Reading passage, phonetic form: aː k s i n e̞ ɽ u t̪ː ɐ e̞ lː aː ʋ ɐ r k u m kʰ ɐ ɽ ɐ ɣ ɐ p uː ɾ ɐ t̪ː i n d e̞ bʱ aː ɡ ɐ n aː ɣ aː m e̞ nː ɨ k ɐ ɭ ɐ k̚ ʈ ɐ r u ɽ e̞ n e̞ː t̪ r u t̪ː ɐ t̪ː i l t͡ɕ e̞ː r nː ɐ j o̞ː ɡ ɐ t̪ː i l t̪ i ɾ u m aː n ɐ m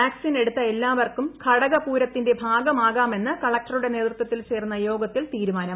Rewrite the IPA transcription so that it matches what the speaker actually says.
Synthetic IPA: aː k s i n e̞ ɽ u t̪ː ɐ e̞ lː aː ʋ ɐ r k u m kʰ ɐ ɽ ɐ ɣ ɐ p uː ɾ ɐ t̪ː i n d e̞ bʱ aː ɡ ɐ m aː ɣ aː m e̞ nː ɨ k ɐ ɭ ɐ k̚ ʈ ɐ r u ɽ e̞ n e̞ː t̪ r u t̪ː ɐ t̪ː i l t͡ɕ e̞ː r nː ɐ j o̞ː ɡ ɐ t̪ː i l t̪ iː ɾ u m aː n ɐ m